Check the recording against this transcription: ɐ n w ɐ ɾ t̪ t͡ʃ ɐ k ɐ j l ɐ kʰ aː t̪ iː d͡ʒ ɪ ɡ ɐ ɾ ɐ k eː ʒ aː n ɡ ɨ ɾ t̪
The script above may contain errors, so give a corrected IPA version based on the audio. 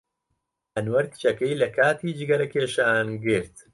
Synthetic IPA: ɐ n w ɐ ɾ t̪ t͡ʃ ɐ k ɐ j l ɐ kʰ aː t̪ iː d͡ʒ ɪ ɡ ɐ ɾ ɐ k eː ʃ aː n ɡ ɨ ɾ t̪